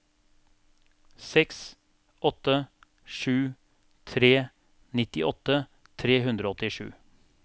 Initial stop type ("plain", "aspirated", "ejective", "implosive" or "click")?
plain